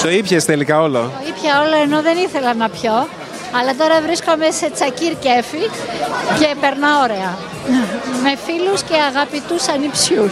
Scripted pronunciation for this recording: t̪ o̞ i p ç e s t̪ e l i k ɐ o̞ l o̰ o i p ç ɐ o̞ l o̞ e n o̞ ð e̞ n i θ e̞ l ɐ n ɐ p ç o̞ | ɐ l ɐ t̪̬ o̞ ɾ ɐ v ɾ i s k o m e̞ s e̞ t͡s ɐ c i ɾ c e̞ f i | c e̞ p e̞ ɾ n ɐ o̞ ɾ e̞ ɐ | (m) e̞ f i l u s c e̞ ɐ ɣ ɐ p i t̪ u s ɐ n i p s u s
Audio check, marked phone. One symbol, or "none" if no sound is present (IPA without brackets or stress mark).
m